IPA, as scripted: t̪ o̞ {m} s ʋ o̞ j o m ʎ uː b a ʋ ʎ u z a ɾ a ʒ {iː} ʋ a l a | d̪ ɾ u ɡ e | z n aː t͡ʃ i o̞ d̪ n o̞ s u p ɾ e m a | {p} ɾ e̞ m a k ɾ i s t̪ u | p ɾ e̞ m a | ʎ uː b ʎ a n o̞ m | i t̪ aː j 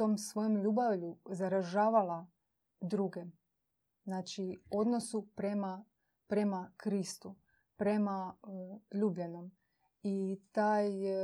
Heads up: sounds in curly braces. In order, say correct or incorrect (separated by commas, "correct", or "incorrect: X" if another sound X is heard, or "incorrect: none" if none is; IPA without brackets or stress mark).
correct, incorrect: aː, correct